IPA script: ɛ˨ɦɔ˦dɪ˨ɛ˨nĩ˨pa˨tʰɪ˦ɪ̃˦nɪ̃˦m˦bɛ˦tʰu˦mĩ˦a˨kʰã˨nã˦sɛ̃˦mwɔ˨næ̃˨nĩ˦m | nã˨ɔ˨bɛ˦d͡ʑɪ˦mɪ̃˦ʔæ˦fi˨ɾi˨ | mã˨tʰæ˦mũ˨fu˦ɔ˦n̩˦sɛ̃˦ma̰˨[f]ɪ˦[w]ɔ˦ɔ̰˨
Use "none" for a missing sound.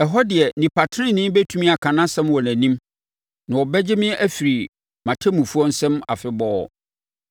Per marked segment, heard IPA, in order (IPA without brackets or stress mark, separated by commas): f, b